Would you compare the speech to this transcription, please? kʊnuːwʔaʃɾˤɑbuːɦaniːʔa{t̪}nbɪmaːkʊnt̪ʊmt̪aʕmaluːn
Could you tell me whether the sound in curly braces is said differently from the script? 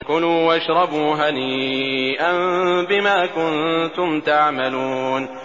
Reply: yes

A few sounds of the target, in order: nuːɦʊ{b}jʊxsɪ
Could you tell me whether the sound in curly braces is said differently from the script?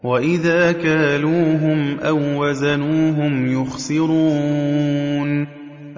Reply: yes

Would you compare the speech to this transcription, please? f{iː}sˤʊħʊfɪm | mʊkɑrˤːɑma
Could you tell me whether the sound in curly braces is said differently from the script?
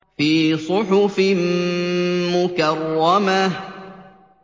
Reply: no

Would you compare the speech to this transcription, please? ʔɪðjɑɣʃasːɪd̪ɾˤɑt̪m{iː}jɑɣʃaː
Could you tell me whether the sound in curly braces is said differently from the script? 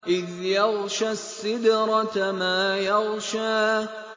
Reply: yes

